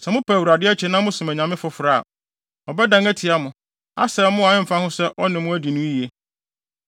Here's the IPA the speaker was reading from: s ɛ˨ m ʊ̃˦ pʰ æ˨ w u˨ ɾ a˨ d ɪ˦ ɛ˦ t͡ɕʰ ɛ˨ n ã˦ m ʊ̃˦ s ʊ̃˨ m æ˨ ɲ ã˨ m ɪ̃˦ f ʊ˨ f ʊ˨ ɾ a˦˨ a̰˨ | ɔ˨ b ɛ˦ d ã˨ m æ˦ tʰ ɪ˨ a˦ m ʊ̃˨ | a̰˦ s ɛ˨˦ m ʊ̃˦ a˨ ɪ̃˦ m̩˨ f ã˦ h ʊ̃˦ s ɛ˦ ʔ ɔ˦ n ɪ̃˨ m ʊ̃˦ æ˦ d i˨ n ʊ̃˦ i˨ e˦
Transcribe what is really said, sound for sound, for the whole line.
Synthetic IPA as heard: s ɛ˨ m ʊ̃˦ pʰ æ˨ w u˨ ɾ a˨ d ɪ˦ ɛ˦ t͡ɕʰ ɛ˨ n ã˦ m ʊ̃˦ s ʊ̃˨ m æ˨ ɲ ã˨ m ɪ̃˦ f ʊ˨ f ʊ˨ ɾ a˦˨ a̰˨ | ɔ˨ b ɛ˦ d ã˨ ŋ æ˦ tʰ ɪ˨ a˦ m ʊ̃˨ | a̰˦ s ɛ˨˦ m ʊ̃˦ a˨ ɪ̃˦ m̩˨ f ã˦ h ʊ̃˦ s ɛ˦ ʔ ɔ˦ n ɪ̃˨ m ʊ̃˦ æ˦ d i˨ n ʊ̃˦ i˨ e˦